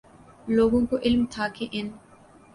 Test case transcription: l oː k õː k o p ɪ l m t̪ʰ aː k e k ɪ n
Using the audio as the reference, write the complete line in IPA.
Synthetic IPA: l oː ɡ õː k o ʔ ɪ l m t̪ʰ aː k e ʔ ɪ n

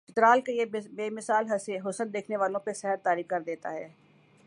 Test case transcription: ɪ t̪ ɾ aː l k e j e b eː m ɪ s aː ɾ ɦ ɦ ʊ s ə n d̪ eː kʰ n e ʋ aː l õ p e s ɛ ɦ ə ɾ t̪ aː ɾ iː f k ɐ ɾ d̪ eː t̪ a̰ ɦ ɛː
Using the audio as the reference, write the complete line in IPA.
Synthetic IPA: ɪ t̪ ɾ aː l k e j e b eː m ɪ s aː l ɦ ɦ ʊ s ə n d̪ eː kʰ n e ʋ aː l õ p e s ɛ ɦ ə ɾ t̪ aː ɾ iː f k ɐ ɾ d̪ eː t̪ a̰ ɦ ɛː

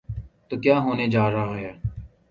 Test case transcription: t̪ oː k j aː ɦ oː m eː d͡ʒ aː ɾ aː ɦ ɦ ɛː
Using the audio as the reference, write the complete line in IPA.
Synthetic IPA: t̪ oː k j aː ɦ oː n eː d͡ʒ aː ɾ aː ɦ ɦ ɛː

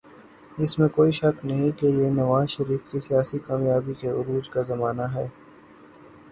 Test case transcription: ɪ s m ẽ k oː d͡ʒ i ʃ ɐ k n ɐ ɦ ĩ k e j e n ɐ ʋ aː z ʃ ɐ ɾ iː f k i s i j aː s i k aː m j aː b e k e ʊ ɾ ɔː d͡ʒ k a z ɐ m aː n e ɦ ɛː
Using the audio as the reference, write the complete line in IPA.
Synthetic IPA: ɪ s m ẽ k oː i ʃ ɐ k n ɐ ɦ ĩ k e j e n ɐ ʋ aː z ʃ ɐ ɾ iː f k i s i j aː s i k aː m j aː b i k e ʊ ɾ uː d͡ʒ k a z ɐ m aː n a ɦ ɛː

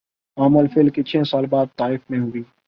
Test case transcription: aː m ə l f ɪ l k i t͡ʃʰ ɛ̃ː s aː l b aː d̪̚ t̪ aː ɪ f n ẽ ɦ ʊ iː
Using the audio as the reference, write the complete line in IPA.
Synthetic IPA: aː m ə l f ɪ l k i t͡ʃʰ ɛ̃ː s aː l b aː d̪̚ t̪ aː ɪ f m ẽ ɦ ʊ iː

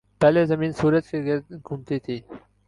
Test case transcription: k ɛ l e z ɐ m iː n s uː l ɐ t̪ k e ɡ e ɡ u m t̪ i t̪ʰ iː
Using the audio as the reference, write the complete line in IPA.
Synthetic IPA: p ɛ l e z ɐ m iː n s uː ɾ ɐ t̪ k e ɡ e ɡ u m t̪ i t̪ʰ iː

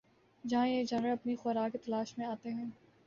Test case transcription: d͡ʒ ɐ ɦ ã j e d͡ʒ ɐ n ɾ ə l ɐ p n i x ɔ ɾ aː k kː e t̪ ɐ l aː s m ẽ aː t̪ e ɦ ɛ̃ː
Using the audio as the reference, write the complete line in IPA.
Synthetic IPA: d͡ʒ ɐ ɦ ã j e d͡ʒ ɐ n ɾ ə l ɐ p n i x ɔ ɾ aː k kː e t̪ ɐ l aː ʃ m ẽ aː t̪ e ɦ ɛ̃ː

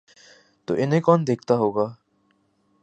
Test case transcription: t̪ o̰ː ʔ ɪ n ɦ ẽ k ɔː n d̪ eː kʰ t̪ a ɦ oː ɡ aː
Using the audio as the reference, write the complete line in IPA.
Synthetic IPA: t̪ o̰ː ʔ ɪ n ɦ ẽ k ɔː n d̪ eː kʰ t̪ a ɦ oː ɡ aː

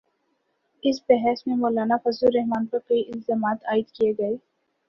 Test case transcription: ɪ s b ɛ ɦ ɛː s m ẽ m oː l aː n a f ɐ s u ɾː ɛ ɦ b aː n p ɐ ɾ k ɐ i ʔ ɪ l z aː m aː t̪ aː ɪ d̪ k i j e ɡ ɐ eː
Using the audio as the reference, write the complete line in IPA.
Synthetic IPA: ɪ s b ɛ ɦ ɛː s m ẽ m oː l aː n a f ɐ z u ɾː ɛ ɦ m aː n p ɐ ɾ k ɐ i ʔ ɪ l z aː m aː t̪ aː ɪ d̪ k i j e ɡ ɐ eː

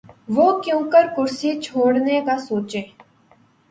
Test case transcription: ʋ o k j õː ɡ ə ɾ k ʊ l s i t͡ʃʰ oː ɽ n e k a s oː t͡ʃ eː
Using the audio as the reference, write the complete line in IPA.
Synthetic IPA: ʋ o k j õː k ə ɾ k ʊ ɾ s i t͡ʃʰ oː ɽ n e k a s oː t͡ʃ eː

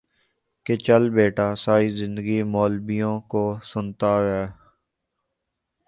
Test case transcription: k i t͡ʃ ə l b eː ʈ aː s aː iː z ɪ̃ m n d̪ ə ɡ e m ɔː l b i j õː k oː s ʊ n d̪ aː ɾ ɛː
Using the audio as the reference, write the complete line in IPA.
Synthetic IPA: k e t͡ʃ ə l b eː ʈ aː s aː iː z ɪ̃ n d̪ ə ɡ i m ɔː l b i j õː k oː s ʊ n t̪ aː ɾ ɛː

